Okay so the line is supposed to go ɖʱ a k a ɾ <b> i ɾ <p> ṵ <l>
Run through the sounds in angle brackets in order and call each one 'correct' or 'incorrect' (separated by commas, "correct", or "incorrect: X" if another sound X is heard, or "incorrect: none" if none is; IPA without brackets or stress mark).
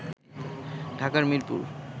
incorrect: m, correct, incorrect: ɾ